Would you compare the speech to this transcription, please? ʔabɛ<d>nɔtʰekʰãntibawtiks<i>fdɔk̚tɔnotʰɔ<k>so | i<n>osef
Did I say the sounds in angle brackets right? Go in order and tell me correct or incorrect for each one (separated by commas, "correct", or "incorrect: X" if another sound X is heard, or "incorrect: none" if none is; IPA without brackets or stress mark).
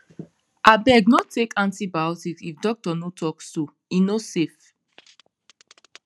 incorrect: ɡ, correct, correct, correct